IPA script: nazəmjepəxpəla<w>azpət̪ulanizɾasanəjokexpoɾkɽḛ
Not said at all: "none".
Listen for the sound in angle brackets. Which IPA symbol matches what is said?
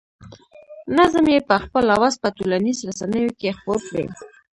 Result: w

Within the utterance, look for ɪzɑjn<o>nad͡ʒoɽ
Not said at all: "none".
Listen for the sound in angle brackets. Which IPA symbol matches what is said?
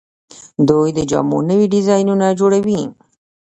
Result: u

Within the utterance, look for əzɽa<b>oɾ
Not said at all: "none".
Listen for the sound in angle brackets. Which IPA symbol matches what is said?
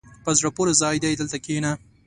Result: p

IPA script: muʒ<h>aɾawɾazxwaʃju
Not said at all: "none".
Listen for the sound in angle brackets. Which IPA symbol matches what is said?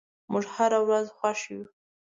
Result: h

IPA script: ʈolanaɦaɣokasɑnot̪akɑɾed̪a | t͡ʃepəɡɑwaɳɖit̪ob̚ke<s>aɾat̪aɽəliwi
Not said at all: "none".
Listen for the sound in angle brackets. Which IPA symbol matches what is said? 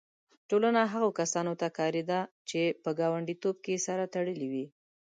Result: s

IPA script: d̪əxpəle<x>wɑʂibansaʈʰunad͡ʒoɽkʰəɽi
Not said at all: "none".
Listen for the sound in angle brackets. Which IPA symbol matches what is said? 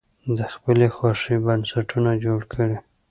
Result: x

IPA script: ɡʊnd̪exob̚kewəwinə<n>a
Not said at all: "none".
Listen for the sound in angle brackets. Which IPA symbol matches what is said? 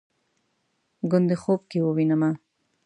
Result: m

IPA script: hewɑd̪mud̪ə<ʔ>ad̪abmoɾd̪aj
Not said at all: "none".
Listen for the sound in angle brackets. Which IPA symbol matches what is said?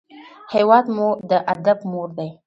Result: ʔ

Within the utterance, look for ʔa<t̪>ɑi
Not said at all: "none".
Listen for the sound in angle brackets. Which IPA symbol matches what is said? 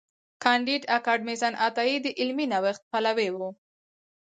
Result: t̪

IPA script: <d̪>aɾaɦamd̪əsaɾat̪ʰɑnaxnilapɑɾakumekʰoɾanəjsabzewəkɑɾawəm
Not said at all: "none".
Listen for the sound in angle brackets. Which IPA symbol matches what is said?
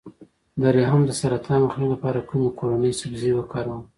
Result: d̪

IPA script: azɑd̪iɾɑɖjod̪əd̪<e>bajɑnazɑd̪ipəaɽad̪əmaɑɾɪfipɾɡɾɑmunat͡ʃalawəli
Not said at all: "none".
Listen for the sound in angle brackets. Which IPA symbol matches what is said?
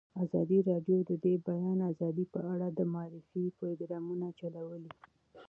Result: e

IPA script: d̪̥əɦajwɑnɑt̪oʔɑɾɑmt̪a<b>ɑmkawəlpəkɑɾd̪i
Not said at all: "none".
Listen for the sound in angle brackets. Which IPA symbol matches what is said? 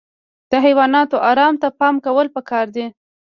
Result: p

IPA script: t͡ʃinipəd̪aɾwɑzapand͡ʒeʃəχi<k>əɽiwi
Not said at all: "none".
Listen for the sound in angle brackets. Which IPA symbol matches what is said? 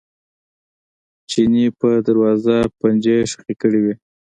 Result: k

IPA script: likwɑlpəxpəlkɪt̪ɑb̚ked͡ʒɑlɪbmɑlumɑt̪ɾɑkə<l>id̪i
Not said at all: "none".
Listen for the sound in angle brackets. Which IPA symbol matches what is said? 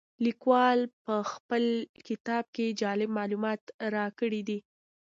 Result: ɽ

